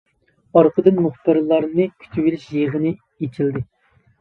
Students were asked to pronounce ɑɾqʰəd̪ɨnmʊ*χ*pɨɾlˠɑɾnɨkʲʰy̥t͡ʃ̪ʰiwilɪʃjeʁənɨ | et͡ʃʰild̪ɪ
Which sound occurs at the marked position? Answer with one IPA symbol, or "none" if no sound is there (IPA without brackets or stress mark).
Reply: χ